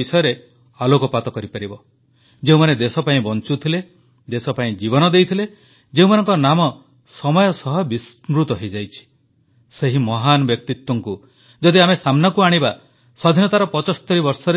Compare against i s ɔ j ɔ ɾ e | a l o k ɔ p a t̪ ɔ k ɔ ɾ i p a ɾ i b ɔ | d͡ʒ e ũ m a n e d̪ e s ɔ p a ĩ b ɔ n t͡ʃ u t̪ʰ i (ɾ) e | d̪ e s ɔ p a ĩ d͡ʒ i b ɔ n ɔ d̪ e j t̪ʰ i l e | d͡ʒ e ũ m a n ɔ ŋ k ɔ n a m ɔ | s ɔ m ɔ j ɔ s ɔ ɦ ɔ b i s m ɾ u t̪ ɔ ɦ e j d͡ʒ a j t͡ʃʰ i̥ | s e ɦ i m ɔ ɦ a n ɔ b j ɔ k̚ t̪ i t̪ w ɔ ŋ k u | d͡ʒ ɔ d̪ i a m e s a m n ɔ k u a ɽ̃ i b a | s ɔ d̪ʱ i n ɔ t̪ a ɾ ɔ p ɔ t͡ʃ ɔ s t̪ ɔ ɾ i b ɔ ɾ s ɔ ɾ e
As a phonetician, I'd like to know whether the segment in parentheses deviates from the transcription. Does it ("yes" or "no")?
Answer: yes